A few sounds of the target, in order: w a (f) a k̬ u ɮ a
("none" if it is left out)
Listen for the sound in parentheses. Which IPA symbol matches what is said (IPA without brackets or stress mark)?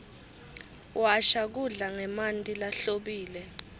ʃ